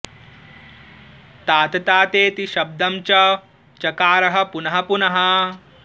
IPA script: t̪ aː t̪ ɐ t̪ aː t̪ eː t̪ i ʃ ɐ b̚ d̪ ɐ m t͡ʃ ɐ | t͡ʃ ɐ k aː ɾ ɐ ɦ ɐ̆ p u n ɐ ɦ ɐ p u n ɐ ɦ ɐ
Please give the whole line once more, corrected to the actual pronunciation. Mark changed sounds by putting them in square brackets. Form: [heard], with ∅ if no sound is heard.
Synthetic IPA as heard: t̪ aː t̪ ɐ t̪ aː t̪ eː t̪ i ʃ ɐ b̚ d̪ ɐ m t͡ʃ ɐ | t͡ʃ ɐ k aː ɾ ɐ ɦ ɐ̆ p u n ɐ ɦ ɐ p u n ɐ ɦ ɐ